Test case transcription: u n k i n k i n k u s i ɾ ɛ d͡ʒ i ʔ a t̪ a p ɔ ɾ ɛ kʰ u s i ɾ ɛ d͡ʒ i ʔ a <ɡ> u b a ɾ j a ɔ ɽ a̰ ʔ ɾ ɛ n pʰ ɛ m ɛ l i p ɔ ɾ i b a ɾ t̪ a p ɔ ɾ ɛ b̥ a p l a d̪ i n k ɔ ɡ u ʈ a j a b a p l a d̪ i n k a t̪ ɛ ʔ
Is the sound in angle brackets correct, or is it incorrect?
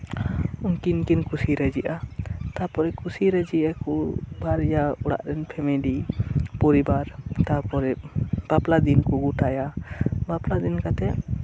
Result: incorrect